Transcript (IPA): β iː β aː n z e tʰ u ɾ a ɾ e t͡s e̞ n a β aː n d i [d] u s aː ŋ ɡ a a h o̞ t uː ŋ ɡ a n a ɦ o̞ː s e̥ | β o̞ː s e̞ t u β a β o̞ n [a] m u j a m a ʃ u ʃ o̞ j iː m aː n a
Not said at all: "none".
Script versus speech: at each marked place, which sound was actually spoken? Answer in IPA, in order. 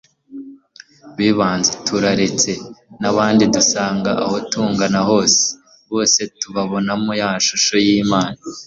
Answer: d, a

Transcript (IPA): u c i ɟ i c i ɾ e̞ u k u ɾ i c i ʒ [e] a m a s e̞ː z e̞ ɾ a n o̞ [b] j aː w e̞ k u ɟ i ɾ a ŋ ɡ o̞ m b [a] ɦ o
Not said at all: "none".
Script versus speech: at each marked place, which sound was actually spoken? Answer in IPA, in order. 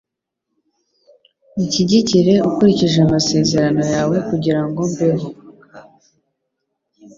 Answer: e, none, e

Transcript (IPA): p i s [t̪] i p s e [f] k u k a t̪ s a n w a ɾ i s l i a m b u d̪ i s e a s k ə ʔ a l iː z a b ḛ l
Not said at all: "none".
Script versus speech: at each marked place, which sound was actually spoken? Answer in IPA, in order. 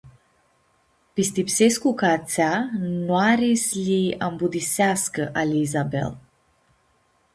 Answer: t̪, s

